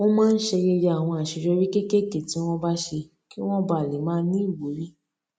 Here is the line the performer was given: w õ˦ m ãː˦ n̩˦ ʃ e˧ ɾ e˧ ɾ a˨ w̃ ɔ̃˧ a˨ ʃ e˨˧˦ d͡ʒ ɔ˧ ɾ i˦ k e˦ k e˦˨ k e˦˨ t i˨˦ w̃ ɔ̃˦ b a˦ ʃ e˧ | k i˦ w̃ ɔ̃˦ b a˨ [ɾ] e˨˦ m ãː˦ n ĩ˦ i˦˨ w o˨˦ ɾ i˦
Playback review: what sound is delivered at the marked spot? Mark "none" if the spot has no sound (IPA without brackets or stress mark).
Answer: l